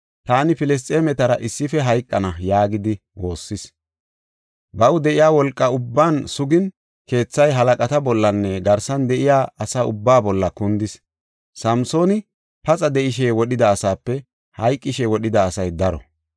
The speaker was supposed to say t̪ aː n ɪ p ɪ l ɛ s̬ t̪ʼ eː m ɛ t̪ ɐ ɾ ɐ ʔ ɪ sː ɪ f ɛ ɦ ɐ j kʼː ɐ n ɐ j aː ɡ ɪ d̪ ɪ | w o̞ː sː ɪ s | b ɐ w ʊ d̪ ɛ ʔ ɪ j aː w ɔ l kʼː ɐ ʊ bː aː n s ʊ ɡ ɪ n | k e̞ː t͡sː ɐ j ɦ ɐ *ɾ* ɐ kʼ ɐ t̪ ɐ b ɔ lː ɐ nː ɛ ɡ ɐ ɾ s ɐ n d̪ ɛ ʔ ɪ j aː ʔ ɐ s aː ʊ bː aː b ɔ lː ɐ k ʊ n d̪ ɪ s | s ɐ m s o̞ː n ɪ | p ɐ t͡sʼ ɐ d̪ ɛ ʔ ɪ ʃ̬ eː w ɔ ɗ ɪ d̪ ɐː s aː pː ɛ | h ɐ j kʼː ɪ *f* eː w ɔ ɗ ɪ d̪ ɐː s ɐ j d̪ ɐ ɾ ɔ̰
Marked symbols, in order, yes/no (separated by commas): no, no